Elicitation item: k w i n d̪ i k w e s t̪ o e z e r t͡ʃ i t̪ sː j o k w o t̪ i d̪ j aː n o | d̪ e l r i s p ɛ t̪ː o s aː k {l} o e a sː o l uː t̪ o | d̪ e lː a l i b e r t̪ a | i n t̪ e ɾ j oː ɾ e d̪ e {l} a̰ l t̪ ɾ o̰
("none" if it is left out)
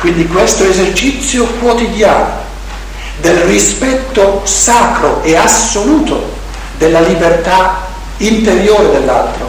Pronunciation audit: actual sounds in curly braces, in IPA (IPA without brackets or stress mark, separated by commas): ɾ, lː